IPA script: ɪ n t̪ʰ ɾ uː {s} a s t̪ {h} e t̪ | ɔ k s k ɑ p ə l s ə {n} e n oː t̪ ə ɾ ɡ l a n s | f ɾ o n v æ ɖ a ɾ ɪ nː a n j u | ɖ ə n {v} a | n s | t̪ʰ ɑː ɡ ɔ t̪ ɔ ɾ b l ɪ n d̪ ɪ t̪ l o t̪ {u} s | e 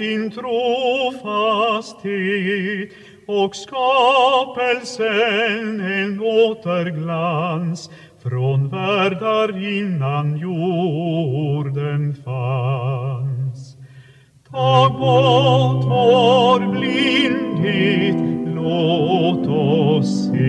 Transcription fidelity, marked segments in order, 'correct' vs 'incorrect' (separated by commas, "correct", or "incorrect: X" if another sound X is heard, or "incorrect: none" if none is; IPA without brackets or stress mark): incorrect: f, correct, correct, incorrect: f, incorrect: ɔ